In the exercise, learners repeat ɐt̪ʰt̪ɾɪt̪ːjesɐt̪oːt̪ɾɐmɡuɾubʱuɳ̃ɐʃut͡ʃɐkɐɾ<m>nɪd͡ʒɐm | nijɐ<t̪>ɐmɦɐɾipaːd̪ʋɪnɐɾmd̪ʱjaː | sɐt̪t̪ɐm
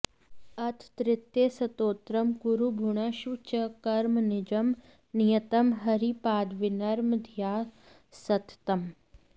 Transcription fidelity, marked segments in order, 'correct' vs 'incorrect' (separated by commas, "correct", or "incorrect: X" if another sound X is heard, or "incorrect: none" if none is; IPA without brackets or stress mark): correct, correct